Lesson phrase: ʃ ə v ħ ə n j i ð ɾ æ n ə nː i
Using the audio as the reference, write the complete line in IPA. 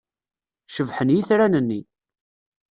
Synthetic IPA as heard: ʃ ə v ħ ə n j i θ ɾ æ n ə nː i